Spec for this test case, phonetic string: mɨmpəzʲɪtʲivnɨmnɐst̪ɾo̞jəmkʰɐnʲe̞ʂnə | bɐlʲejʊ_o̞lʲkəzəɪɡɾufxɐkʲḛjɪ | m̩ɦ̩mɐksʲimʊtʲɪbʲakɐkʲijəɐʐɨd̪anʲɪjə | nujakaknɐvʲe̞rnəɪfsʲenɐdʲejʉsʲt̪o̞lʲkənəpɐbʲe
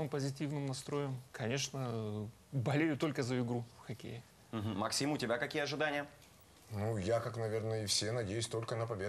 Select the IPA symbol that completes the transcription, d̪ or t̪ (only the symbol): t̪